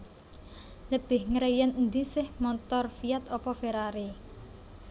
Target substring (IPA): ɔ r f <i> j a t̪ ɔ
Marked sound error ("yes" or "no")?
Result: no